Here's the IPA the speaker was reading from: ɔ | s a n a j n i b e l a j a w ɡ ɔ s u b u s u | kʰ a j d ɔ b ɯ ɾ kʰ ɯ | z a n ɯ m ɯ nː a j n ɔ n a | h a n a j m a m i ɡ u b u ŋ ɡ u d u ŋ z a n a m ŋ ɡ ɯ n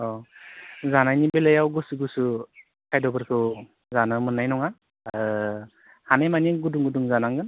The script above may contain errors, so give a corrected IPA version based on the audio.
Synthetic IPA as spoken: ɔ | z a n a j n i b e l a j a w ɡ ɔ s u ɡ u s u | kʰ a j d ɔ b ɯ ɾ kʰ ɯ | z a n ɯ m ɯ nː a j n ɔ ŋ a | h a n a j m a n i ɡ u d u ŋ ɡ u d u ŋ z a n a ŋ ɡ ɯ n